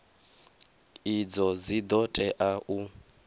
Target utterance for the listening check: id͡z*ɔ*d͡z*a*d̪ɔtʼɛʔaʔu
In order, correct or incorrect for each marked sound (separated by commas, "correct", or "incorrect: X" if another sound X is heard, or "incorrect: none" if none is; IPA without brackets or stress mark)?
correct, incorrect: i